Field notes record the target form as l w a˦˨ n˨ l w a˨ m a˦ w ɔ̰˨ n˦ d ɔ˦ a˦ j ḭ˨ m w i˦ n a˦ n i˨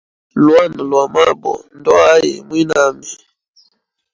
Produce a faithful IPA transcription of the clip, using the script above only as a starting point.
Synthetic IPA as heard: l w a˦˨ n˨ l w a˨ m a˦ b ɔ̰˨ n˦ d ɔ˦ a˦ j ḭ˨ m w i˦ n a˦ m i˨